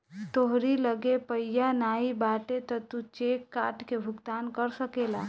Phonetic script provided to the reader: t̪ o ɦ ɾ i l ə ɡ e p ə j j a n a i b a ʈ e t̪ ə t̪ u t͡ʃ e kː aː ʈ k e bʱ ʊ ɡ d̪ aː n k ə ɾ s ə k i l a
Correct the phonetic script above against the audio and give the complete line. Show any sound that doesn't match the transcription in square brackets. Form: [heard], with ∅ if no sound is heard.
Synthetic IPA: t̪ o ɦ ɾ i l ə ɡ e p ə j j a n a i b a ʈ e t̪ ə t̪ u t͡ʃ e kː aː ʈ k e bʱ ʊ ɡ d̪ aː n k ə ɾ s ə k [e] l a